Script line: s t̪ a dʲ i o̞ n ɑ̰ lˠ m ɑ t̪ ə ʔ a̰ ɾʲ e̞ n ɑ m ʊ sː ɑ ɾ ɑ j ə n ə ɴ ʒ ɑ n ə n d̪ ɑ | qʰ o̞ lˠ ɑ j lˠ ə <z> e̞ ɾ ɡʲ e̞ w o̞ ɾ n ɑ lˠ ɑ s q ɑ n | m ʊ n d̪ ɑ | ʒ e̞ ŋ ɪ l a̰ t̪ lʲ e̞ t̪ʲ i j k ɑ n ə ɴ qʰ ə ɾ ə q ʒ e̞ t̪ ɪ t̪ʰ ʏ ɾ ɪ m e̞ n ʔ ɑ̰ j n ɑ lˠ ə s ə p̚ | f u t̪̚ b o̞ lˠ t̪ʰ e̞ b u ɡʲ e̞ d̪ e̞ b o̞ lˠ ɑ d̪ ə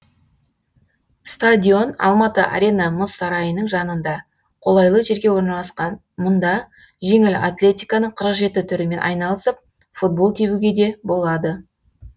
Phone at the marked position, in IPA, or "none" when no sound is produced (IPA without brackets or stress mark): ʒ